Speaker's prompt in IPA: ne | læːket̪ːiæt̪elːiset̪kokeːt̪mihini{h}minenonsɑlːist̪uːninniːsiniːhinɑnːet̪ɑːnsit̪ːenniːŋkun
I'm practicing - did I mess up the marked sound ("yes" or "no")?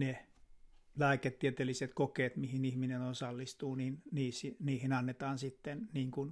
no